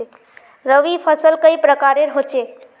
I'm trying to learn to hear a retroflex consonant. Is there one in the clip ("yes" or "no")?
no